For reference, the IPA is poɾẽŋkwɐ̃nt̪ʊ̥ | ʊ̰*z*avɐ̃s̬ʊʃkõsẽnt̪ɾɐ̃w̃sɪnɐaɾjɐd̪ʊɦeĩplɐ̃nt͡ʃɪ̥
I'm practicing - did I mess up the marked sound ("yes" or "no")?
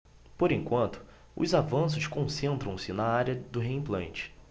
no